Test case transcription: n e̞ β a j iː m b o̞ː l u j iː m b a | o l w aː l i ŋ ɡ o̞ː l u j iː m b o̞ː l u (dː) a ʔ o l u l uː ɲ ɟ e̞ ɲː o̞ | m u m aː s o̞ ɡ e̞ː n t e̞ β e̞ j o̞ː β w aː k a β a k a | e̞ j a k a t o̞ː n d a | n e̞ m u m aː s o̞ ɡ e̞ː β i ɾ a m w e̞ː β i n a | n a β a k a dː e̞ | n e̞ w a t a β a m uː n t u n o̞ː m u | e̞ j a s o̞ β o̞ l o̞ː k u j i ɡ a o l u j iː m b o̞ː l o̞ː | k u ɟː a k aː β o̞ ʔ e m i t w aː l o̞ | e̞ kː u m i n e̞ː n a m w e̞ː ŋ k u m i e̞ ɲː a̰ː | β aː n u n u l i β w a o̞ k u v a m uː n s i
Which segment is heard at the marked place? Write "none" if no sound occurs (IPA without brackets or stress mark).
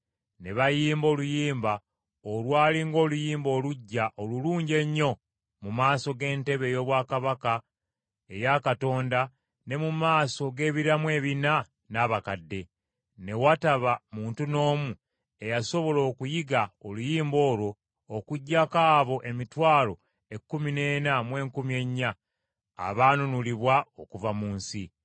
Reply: ɟː